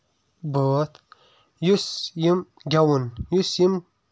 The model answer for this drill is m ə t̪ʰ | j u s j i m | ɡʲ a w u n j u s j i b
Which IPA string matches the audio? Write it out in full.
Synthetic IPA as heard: b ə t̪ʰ | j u s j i m | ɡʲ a w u n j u s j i m